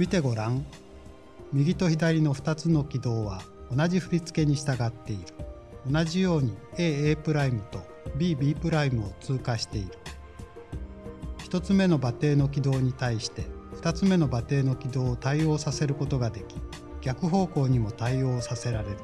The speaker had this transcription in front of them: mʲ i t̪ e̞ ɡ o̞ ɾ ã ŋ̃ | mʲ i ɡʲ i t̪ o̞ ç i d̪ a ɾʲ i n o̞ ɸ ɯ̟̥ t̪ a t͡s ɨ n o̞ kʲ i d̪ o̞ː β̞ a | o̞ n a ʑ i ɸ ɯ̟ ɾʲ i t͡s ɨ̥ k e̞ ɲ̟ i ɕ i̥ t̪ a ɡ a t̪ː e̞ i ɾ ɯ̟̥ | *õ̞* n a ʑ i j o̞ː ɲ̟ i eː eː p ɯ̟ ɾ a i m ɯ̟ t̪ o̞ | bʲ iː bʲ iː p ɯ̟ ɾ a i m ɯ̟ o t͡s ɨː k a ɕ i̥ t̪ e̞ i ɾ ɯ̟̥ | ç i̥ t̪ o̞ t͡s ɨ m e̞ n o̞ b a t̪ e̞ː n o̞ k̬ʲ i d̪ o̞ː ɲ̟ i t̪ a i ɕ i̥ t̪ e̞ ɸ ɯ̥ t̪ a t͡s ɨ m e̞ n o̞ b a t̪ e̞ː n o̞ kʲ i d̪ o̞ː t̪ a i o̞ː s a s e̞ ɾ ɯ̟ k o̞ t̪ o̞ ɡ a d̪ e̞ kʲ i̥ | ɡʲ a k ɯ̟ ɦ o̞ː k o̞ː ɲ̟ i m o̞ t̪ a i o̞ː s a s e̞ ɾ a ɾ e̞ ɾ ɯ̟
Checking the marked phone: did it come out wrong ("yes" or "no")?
yes